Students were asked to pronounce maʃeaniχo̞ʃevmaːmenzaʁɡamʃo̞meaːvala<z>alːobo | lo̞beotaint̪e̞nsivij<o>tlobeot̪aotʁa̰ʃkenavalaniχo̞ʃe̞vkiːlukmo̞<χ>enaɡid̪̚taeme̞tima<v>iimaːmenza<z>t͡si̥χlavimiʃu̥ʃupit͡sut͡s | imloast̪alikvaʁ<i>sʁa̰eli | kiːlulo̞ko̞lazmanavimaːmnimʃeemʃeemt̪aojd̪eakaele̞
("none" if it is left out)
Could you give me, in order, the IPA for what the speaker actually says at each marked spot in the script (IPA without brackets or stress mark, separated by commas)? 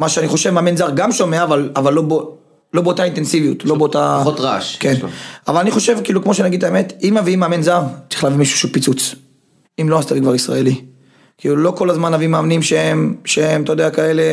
v, u, ʃ, v, ʁ, i